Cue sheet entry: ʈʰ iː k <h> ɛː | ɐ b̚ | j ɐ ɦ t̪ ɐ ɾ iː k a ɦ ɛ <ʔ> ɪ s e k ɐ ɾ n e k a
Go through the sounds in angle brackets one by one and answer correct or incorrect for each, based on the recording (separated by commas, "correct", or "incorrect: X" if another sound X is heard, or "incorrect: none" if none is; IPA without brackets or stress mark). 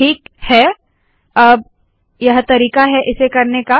correct, correct